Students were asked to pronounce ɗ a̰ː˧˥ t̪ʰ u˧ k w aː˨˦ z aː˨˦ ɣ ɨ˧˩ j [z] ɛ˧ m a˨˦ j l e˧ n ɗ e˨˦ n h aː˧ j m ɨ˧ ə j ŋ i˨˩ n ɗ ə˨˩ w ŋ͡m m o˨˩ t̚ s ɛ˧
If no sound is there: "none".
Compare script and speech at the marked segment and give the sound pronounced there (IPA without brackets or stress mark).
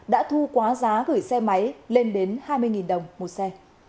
s